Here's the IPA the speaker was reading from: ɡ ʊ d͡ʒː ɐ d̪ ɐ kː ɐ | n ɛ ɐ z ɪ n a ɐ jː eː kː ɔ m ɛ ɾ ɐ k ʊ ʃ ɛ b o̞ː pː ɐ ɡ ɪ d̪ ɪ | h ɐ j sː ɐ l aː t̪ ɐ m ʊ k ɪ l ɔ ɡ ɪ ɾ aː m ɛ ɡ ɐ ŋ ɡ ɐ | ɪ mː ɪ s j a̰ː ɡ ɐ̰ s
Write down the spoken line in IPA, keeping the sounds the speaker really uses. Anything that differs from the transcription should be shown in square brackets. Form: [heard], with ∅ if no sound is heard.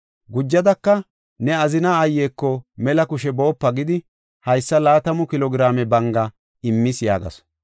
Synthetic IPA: ɡ ʊ d͡ʒː ɐ d̪ ɐ kː ɐ | n ɛ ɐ z ɪ n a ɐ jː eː kː ɔ m ɛ [l] ɐ k ʊ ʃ ɛ b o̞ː pː ɐ ɡ ɪ d̪ ɪ | h ɐ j sː ɐ l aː t̪ ɐ m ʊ k ɪ l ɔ ɡ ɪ ɾ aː m ɛ [b] ɐ ŋ ɡ ɐ | ɪ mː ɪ s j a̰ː ɡ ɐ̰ s